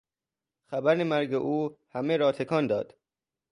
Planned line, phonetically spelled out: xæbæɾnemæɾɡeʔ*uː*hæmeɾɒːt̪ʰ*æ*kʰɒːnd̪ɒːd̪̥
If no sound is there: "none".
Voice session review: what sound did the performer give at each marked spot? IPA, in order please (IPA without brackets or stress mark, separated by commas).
uː, e